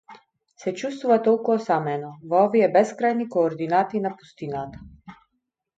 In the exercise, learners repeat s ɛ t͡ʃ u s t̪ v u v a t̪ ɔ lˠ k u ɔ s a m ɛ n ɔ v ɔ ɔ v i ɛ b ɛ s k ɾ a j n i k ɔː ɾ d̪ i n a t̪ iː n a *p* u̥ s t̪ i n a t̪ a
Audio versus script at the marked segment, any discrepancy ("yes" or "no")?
no